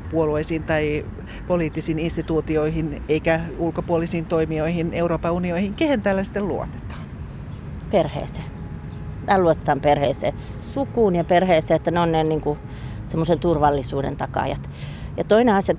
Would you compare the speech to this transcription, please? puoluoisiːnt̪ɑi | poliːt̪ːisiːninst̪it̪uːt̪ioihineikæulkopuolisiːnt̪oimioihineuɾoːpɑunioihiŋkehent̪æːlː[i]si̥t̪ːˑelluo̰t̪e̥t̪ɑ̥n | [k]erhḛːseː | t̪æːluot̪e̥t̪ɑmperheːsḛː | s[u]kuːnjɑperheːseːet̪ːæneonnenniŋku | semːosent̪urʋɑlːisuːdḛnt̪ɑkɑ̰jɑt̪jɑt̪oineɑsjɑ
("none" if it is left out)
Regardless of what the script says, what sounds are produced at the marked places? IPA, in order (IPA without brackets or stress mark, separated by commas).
æ, p, u